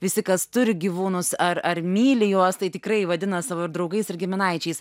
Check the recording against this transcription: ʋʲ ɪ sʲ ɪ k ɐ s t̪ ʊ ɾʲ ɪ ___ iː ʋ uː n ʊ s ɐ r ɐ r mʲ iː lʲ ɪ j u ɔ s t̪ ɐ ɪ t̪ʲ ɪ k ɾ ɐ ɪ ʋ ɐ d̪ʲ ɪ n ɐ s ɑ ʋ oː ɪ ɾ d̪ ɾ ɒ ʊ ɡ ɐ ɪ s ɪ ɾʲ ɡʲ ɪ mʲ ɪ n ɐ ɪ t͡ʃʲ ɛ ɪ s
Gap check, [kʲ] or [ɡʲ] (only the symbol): ɡʲ